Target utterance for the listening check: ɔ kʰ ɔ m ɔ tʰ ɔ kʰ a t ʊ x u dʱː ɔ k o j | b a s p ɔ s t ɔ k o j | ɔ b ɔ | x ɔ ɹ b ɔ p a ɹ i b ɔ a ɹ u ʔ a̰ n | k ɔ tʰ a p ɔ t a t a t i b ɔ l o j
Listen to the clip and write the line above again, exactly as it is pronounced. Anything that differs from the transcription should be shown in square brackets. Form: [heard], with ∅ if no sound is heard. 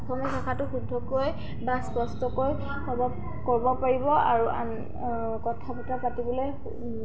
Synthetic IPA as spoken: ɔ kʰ ɔ m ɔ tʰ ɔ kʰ a t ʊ x u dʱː ɔ k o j | b a s p ɔ s t ɔ k o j | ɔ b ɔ | [k] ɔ ɹ b ɔ p a ɹ i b ɔ a ɹ u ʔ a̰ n | k ɔ tʰ a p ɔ t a [p] a t i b ɔ l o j